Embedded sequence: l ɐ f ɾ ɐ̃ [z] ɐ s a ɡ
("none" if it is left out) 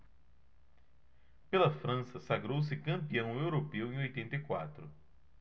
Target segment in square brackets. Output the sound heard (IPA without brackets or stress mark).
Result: s